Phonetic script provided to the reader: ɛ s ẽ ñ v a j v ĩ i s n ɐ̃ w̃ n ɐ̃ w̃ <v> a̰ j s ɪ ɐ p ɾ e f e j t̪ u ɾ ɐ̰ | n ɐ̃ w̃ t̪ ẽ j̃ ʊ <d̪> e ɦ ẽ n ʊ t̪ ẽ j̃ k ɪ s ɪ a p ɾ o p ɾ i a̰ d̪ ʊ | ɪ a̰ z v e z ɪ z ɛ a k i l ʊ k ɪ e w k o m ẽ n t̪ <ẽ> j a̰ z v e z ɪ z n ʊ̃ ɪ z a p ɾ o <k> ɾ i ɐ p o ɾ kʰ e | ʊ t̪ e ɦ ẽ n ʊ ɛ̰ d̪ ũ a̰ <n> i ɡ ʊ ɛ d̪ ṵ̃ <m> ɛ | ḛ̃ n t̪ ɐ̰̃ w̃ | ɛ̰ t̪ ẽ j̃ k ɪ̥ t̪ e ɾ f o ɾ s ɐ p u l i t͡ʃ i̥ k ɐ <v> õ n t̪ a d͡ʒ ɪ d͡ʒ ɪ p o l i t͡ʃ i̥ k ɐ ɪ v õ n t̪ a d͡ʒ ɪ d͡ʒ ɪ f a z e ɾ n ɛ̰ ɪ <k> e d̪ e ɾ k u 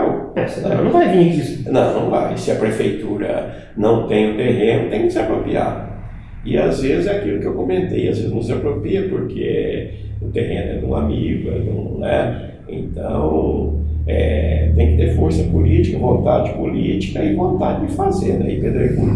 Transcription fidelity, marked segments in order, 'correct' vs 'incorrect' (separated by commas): correct, incorrect, incorrect, incorrect, incorrect, incorrect, correct, incorrect